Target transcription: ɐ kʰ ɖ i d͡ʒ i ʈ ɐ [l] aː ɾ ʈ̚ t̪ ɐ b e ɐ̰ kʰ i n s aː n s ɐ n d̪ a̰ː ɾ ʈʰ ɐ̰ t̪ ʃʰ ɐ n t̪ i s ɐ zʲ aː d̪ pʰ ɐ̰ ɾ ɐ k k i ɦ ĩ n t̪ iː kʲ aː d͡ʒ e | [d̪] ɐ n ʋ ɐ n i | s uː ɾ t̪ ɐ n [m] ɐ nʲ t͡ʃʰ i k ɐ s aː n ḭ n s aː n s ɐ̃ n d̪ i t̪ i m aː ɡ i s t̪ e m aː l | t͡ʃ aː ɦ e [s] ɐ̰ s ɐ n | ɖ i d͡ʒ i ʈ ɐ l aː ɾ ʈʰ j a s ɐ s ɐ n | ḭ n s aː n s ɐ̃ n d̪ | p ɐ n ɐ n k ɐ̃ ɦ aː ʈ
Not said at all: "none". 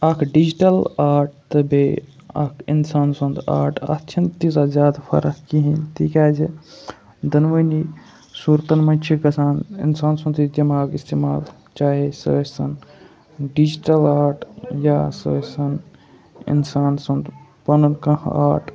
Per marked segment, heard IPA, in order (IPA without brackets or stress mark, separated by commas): l, d̪, m, s